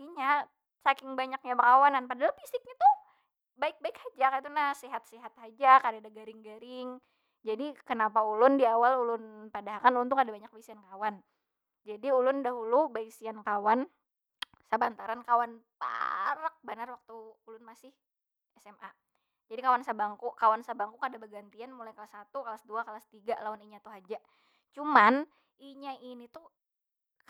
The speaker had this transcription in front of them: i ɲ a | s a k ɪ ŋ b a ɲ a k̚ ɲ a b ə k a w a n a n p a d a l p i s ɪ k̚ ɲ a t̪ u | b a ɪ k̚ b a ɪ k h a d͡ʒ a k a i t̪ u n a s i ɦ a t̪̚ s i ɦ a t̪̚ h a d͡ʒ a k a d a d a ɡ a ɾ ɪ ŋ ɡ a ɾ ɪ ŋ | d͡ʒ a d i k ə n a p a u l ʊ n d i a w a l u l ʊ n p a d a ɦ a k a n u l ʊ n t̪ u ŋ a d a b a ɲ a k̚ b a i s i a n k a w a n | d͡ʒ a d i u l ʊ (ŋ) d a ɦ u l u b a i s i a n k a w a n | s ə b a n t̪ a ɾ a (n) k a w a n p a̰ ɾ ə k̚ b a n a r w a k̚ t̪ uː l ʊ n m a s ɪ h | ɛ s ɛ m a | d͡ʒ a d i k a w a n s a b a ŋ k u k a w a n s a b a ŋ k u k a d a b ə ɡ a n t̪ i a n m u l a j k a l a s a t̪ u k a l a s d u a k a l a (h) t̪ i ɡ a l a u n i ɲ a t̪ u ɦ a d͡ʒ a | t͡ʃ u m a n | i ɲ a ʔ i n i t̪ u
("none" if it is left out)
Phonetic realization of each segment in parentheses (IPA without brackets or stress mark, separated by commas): n, n, s